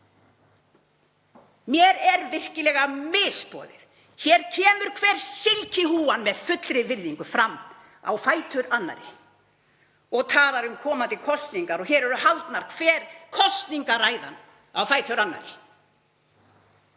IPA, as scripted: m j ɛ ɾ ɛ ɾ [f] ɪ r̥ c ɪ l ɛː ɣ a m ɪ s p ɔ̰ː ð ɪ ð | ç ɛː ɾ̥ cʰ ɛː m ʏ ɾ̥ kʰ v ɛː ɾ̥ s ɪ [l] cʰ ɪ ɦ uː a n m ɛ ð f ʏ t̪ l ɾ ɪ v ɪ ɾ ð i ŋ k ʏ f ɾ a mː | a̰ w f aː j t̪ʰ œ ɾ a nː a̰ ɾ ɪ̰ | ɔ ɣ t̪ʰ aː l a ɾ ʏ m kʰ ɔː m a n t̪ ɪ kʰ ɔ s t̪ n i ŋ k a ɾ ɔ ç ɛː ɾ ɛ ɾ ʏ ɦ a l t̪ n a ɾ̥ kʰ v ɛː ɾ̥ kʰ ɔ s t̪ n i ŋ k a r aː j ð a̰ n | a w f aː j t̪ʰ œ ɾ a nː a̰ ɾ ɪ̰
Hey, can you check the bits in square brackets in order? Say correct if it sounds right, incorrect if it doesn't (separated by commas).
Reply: incorrect, correct